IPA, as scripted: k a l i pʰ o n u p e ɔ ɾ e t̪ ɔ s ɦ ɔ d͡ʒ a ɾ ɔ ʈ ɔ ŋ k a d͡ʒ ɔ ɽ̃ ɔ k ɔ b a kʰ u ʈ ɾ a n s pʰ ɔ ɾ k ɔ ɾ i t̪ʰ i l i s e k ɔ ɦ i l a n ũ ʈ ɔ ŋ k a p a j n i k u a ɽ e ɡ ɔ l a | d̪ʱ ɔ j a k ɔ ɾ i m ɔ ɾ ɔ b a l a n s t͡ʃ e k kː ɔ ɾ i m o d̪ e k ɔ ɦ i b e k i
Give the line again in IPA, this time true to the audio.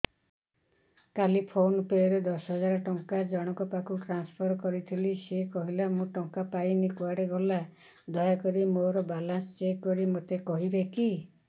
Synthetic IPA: k a l i pʰ o n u p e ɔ ɾ e d̪ ɔ s ɦ ɔ d͡ʒ a ɾ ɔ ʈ ɔ ŋ k a d͡ʒ ɔ ɽ̃ ɔ k ɔ p a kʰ u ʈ ɾ a n s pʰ ɔ ɾ k ɔ ɾ i t̪ʰ i l i s e k ɔ ɦ i l a m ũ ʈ ɔ ŋ k a p a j n i k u a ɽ e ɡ ɔ l a | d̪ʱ ɔ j a k ɔ ɾ i m o ɾ ɔ b a l a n s t͡ʃ e k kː ɔ ɾ i m o t̪ e k ɔ ɦ i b e k i